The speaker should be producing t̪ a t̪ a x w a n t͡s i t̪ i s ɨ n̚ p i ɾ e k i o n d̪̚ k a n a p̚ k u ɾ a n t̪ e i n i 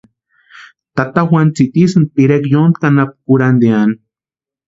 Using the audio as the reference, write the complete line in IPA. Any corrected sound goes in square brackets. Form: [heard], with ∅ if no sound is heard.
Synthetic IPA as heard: t̪ a t̪ a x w a n t͡s i t̪ i s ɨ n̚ p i ɾ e k [j] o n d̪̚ k a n a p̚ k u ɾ a n [d̪] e [a] n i